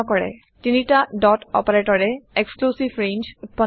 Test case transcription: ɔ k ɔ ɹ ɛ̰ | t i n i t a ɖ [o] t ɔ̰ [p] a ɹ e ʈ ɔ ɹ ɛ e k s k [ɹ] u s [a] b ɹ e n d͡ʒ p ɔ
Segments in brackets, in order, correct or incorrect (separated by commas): incorrect, correct, incorrect, incorrect